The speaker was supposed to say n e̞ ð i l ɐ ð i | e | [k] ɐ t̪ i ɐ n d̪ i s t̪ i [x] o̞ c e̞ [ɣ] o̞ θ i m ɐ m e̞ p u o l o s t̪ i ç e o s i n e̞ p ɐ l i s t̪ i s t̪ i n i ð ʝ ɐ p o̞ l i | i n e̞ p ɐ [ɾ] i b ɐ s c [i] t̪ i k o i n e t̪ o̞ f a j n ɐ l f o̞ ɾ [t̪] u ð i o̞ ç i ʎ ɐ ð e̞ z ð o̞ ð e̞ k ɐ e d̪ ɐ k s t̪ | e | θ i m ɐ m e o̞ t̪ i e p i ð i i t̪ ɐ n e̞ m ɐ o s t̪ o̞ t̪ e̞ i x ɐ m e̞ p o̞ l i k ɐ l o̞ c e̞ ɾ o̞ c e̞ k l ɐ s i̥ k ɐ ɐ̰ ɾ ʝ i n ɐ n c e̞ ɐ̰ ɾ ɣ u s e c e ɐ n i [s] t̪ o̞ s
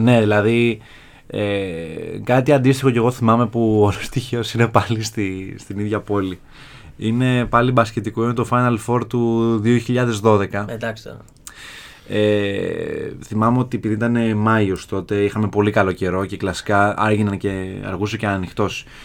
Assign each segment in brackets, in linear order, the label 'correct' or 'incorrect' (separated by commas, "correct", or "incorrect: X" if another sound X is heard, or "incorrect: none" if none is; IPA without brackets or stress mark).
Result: correct, correct, correct, incorrect: l, incorrect: e, correct, incorrect: x